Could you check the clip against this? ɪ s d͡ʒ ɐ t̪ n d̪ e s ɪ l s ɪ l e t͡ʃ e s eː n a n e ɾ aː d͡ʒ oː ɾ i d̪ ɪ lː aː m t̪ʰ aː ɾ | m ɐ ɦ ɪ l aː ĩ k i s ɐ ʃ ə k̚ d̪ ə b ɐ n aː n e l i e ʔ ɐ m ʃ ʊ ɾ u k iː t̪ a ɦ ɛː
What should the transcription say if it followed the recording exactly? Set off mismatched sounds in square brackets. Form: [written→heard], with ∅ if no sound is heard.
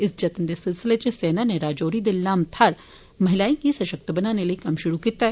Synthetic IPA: ɪ s d͡ʒ ɐ t̪ n d̪ e s ɪ l s ɪ l e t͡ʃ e s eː n a n e ɾ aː d͡ʒ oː ɾ i d̪ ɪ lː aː m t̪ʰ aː ɾ | m ɐ ɦ ɪ l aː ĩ k i s ɐ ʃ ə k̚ [d̪→t̪] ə b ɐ n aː n e l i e [ʔ→k] ɐ m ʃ ʊ ɾ u k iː t̪ a ɦ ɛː